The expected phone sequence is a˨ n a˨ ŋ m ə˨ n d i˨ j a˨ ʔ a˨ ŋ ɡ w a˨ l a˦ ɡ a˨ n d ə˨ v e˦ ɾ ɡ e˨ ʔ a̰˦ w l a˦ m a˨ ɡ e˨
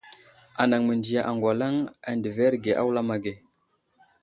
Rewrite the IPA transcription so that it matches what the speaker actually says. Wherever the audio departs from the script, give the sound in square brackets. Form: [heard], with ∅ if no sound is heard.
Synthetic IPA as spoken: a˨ n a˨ ŋ m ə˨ n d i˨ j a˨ ʔ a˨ ŋ ɡ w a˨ l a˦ [ŋ] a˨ n d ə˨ v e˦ ɾ ɡ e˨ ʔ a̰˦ w l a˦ m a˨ ɡ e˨